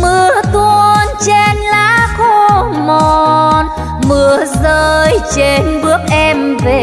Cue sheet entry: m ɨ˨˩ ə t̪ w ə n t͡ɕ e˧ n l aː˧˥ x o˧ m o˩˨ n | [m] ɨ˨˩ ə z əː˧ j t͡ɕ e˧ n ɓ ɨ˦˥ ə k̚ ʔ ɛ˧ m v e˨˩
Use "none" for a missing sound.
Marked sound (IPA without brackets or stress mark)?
m